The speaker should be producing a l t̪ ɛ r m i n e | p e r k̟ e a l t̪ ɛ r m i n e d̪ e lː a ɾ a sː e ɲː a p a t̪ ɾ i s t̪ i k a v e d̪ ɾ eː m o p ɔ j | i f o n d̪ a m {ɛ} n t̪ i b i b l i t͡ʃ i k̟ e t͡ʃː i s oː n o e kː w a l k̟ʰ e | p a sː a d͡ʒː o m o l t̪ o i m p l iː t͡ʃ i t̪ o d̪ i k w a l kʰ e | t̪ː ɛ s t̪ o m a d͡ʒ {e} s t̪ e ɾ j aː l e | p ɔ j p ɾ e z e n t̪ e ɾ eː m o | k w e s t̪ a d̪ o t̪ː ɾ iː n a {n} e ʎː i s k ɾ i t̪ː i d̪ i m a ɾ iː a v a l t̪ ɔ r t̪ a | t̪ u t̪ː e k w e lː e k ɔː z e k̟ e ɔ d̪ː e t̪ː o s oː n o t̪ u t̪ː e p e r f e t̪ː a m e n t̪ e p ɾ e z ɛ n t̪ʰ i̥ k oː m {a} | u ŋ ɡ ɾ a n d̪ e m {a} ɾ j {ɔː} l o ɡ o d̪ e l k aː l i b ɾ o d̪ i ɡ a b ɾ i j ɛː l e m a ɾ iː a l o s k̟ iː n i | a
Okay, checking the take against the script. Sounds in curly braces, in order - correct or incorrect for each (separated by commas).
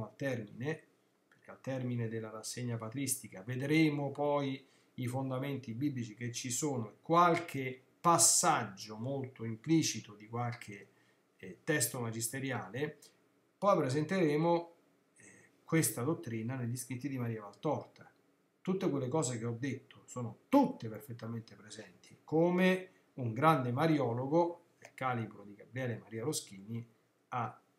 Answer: incorrect, incorrect, correct, incorrect, correct, correct